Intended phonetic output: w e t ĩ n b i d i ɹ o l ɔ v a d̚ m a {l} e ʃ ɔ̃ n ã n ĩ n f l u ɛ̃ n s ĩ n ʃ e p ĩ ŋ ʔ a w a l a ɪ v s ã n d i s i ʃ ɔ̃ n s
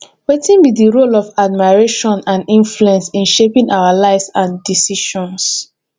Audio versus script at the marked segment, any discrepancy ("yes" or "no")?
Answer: yes